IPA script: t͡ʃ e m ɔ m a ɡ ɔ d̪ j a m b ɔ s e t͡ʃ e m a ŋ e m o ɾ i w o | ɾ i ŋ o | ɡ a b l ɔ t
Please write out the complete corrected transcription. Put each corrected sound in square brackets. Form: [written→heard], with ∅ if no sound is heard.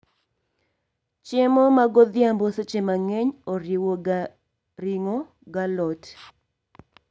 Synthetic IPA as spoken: t͡ʃ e m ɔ m a ɡ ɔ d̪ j a m b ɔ s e t͡ʃ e m a ŋ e [m→ɲ] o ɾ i w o | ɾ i ŋ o | ɡ a [b→∅] l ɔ t